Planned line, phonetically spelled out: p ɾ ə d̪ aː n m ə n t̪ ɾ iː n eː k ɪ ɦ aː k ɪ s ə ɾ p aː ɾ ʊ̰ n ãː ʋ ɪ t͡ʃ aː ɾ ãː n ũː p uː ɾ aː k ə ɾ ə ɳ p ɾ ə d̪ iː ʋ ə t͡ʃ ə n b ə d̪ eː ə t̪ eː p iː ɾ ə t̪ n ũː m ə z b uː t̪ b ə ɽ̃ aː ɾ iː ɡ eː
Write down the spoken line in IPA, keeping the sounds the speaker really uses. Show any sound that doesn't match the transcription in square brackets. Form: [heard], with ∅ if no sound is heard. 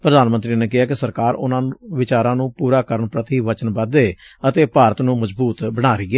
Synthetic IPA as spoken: p ɾ ə d̪ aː n m ə n t̪ ɾ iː n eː k ɪ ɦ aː k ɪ s ə ɾ [k] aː ɾ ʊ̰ n ãː ʋ ɪ t͡ʃ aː ɾ ãː n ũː p uː ɾ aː k ə ɾ ə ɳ p ɾ ə [t̪] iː ʋ ə t͡ʃ ə n b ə d̪ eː ə t̪ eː p [aː] ɾ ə t̪ n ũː m ə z b uː t̪ b ə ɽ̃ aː ɾ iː ɡ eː

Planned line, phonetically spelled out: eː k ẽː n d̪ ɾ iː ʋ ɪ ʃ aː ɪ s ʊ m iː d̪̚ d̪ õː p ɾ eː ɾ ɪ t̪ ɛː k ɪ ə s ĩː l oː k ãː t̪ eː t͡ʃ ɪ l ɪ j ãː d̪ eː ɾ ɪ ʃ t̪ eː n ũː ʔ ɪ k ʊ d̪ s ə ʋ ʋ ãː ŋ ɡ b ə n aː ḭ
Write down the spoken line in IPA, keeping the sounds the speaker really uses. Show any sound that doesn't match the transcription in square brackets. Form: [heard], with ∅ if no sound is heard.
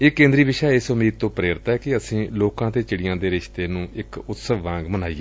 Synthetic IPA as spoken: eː k ẽː n d̪ ɾ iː ʋ ɪ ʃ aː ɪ s ʊ m iː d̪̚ [t̪] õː p ɾ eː ɾ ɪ t̪ ɛː k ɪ ə s ĩː l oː k ãː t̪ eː t͡ʃ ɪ [ɽ] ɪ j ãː d̪ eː ɾ ɪ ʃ t̪ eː n ũː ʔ ɪ k ʊ [t̪] s ə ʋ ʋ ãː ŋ ɡ [m] ə n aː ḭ

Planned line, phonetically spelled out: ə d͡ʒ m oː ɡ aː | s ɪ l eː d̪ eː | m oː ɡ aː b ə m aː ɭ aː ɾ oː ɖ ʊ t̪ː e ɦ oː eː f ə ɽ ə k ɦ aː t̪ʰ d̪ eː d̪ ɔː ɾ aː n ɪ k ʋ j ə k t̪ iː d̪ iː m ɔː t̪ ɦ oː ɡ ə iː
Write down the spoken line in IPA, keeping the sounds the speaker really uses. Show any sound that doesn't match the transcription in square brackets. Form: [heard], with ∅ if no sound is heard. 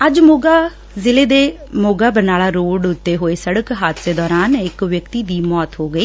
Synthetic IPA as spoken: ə d͡ʒ m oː ɡ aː | [z] ɪ l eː d̪ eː | m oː ɡ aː b ə [n] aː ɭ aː ɾ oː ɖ ʊ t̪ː e ɦ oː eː [s] ə ɽ ə k ɦ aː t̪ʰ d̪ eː d̪ ɔː ɾ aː n ɪ k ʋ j ə k t̪ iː d̪ iː m ɔː t̪ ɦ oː ɡ ə iː

